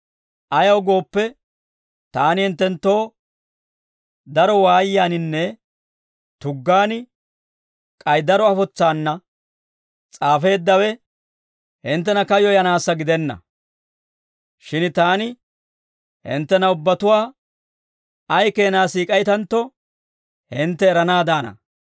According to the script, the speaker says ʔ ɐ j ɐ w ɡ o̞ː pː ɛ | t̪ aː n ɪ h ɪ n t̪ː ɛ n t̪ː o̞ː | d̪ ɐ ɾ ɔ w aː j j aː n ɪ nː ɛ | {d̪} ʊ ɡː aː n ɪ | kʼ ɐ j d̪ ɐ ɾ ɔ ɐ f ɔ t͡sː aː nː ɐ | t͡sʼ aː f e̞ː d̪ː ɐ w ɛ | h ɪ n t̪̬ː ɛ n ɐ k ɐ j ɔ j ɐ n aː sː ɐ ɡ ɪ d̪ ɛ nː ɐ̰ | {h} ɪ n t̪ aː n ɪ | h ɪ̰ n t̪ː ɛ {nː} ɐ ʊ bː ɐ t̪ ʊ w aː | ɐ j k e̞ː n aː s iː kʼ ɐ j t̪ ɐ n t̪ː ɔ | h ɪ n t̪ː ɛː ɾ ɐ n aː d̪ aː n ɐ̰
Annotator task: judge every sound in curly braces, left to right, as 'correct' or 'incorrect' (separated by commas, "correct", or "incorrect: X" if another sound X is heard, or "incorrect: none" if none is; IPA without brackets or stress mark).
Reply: incorrect: t̪, incorrect: ʃ, incorrect: n